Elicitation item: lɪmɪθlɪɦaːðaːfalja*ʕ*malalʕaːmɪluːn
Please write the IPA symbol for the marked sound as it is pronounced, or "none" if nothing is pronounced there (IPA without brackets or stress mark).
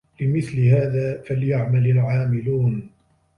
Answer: ʕ